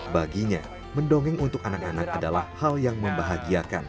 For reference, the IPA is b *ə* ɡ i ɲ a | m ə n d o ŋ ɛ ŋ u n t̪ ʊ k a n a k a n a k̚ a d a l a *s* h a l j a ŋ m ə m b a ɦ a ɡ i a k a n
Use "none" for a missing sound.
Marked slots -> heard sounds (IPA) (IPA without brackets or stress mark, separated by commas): a, h